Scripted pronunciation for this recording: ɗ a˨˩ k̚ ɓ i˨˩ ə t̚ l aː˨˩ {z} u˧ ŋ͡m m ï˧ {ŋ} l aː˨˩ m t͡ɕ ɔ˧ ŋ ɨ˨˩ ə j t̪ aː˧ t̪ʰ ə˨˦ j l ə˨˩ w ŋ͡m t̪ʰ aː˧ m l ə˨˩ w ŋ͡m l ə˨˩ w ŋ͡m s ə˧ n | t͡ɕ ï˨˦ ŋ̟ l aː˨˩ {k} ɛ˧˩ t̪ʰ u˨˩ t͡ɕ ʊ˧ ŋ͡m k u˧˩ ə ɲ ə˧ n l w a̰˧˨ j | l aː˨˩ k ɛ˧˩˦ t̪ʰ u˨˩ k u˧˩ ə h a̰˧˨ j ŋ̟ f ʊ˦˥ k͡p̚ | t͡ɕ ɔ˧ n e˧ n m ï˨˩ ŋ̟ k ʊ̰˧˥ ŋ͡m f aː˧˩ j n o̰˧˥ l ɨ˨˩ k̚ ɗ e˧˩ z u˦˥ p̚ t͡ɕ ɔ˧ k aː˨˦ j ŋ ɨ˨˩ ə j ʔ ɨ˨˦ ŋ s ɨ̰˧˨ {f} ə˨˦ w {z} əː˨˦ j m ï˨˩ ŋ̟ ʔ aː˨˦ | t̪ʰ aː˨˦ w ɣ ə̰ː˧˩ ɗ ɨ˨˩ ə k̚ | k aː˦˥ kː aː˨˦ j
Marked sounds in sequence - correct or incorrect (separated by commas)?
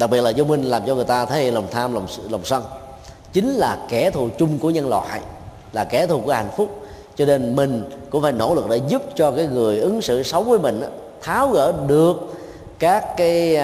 correct, correct, correct, incorrect, incorrect